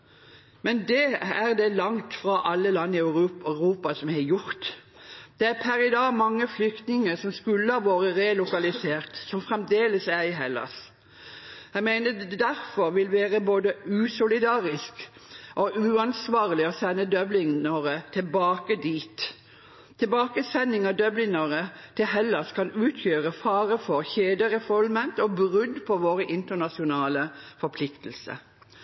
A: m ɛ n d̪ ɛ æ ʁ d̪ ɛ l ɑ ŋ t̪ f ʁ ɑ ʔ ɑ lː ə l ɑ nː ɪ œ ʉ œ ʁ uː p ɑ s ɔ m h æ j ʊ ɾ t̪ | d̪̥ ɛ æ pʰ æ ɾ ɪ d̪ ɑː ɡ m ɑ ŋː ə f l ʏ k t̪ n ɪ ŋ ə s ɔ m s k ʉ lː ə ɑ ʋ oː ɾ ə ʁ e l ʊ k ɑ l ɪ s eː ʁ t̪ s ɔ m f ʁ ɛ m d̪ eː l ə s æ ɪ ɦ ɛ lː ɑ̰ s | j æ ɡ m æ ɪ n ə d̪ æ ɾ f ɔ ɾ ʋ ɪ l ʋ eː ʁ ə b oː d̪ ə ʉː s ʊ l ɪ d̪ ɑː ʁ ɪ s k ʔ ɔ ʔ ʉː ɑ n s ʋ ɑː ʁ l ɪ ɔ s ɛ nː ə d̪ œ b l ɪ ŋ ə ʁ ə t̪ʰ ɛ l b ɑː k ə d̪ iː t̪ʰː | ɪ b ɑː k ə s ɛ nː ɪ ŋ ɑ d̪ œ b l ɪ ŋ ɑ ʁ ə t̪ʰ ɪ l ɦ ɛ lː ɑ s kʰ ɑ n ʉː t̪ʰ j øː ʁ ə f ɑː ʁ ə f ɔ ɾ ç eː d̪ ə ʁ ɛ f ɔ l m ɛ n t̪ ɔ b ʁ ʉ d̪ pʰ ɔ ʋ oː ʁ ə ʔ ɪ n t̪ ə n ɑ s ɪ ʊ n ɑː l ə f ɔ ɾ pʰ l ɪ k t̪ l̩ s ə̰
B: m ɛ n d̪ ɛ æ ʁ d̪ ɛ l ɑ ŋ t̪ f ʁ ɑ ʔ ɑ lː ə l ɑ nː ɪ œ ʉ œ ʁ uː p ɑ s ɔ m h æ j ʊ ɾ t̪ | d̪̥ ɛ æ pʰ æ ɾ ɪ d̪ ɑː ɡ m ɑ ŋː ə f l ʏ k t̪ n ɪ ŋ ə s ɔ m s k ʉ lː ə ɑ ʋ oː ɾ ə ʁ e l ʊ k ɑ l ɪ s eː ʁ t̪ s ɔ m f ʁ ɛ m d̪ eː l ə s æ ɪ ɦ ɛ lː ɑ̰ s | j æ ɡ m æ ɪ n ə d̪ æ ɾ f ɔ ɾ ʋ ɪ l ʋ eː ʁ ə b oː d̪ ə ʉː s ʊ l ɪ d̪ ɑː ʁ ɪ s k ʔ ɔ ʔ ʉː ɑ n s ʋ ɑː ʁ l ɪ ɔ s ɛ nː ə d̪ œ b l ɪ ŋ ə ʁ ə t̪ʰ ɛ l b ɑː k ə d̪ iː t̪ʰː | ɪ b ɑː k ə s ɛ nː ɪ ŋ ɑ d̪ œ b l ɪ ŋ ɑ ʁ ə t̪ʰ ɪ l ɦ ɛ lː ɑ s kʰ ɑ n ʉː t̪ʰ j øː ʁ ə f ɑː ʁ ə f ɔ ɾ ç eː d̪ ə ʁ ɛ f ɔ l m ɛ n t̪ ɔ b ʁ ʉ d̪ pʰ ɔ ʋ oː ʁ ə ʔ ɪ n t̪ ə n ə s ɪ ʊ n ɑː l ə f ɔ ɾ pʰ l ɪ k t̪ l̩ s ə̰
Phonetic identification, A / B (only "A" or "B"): A